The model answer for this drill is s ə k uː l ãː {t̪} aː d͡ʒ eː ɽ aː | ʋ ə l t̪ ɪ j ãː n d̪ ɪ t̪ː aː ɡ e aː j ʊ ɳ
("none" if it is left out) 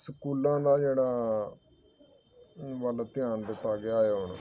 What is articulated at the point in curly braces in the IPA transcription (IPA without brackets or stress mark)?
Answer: d̪